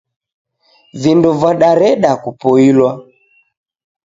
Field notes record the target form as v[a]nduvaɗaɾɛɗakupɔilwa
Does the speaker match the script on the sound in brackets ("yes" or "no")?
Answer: no